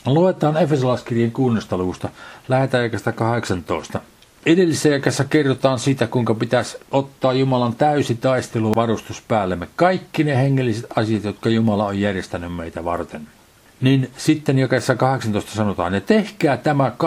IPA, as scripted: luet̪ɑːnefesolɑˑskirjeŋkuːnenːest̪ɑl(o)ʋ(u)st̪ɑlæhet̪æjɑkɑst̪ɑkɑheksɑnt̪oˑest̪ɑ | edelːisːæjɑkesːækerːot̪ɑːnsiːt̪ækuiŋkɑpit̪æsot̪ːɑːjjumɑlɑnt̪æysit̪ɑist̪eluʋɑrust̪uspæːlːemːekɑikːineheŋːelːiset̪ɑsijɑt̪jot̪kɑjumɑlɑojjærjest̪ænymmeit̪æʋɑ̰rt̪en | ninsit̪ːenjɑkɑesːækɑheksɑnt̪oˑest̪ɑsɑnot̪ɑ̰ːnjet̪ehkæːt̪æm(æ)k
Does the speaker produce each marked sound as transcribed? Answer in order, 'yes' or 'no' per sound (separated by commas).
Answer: no, yes, yes